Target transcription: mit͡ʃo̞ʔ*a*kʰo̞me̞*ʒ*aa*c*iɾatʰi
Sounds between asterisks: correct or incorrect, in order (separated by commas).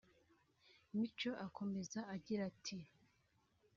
correct, incorrect, incorrect